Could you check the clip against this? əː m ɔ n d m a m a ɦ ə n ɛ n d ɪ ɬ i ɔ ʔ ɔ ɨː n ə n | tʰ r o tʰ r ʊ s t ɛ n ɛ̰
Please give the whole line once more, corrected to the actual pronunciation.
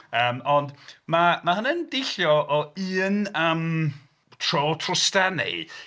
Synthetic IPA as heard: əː m ɔ n d m a m a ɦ ə n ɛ n d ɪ ɬ j ɔ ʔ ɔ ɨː n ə m | tʰ r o tʰ r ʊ s t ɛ n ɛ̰